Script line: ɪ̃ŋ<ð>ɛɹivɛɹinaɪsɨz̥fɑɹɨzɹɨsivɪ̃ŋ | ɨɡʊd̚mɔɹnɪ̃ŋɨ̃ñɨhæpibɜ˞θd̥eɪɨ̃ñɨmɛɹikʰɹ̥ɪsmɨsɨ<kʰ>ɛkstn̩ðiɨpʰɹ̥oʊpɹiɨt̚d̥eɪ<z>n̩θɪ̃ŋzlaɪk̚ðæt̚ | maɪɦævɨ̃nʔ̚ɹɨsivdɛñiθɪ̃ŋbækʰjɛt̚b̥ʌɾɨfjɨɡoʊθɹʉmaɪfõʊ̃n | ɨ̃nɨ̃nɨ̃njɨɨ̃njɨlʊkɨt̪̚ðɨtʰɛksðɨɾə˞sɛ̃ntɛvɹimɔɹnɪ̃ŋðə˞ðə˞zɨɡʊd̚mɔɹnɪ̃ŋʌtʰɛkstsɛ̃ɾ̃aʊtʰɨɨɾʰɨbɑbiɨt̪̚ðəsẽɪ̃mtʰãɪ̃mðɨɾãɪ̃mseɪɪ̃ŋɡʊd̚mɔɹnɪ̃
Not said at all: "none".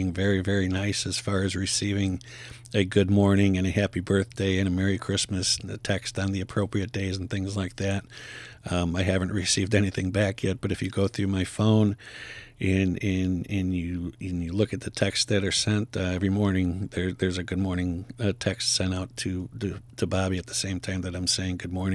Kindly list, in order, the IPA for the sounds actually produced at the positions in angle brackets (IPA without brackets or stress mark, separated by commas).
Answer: v, tʰ, z